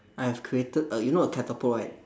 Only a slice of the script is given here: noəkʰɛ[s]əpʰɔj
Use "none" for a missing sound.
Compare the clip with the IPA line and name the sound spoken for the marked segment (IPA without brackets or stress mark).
t